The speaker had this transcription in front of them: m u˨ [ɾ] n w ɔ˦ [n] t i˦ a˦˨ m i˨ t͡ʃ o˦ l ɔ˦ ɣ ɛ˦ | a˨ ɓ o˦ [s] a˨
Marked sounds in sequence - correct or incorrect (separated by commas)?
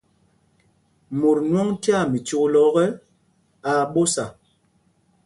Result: correct, incorrect, correct